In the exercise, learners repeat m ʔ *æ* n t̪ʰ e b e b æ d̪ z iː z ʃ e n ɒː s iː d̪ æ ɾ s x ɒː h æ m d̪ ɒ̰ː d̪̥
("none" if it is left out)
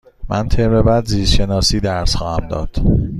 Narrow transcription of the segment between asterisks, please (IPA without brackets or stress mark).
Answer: æ